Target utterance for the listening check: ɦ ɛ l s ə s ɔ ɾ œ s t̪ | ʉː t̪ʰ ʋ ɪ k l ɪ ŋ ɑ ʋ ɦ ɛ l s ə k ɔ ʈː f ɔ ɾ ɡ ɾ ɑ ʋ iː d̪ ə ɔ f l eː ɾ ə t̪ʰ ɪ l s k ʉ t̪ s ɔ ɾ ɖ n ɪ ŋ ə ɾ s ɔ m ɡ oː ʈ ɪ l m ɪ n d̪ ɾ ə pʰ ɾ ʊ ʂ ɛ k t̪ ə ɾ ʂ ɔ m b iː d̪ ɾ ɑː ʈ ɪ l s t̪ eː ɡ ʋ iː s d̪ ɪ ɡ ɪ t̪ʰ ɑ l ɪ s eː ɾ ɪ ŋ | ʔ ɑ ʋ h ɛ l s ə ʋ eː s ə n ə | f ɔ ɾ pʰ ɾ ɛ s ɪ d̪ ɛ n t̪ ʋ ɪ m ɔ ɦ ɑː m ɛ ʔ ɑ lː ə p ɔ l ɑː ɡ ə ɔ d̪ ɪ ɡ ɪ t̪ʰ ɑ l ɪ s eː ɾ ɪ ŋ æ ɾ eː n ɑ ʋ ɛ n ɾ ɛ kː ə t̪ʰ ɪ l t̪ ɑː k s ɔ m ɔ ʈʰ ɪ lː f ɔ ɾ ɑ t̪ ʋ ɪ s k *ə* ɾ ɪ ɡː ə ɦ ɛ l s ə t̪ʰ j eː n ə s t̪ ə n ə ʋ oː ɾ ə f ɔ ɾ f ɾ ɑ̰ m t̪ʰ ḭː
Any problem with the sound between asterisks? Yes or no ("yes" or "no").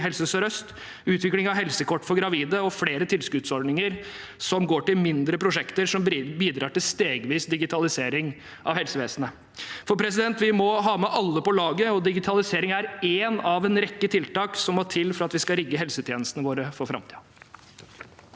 yes